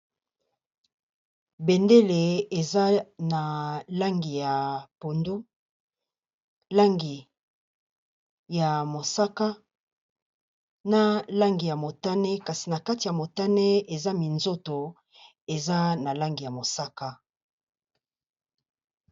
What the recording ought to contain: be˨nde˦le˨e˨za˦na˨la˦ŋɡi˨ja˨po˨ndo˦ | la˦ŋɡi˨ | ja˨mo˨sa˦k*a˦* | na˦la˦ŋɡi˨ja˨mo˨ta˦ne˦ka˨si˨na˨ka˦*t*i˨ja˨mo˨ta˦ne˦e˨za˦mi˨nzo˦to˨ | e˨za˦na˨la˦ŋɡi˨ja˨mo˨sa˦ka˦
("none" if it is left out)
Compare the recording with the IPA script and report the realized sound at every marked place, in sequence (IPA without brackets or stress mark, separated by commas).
a˦, t